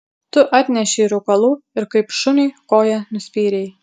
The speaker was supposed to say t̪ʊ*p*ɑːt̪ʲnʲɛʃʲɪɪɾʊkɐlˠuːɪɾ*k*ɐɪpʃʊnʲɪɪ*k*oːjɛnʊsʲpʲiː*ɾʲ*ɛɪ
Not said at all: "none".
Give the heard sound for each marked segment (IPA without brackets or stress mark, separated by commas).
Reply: ʔ, k, k, ɾʲ